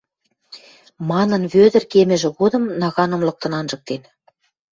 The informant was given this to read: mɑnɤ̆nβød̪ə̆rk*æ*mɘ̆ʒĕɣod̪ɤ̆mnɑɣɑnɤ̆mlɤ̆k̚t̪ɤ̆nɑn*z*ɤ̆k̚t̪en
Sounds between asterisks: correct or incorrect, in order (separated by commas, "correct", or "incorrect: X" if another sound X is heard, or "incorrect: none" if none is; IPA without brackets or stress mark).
incorrect: e, incorrect: ʒ